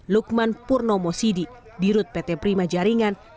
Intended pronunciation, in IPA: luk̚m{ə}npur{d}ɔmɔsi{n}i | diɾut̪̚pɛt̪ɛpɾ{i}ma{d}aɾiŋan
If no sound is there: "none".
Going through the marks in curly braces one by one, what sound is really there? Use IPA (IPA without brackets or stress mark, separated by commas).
a, n, d, i, d͡ʒ